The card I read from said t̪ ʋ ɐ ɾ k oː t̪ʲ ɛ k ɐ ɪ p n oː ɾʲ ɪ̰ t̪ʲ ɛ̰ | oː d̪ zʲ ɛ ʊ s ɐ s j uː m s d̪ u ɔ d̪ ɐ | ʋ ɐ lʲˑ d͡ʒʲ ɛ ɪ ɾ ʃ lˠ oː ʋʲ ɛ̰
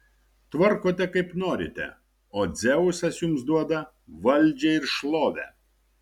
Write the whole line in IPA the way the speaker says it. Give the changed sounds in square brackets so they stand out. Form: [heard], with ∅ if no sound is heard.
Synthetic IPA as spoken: t̪ ʋ ɐ ɾ k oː t̪ʲ ɛ k ɐ ɪ p n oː ɾʲ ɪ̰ t̪ʲ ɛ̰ | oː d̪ zʲ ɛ ʊ s ɐ s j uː m s d̪ u ɔ d̪ ɐ | ʋ ɐ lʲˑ d͡ʒʲ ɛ ɪ ɾ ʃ lˠ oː ʋʲ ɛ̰